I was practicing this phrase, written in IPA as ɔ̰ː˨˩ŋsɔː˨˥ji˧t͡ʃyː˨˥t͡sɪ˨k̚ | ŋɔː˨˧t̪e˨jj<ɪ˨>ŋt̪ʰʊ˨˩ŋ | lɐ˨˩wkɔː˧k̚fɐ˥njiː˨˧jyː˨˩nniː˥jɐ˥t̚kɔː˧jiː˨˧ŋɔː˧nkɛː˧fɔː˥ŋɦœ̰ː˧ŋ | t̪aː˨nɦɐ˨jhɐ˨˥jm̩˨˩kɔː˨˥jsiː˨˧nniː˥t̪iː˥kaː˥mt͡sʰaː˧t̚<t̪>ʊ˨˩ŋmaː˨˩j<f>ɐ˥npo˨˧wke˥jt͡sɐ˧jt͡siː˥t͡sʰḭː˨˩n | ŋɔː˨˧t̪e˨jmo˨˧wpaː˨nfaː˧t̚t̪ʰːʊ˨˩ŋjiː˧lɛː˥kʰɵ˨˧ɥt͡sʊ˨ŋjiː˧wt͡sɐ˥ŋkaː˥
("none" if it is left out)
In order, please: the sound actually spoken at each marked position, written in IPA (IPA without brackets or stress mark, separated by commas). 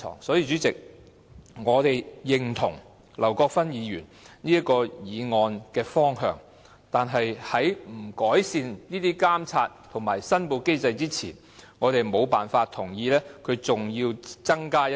ɪ˨, t̪ʰ, s